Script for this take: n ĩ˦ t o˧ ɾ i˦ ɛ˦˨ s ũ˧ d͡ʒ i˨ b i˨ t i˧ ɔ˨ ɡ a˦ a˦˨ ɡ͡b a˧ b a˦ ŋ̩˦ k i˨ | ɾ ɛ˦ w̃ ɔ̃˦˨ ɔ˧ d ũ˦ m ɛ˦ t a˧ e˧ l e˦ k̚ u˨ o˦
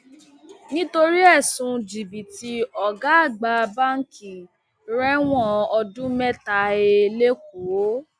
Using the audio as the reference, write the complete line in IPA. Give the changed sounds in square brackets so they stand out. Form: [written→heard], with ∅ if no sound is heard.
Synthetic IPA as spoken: n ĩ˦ t o˧ ɾ i˦ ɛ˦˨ s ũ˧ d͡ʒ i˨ b i˨ t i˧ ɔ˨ ɡ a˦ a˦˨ ɡ͡b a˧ b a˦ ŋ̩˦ k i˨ | ɾ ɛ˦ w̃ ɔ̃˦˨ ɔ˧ d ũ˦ m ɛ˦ t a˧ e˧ l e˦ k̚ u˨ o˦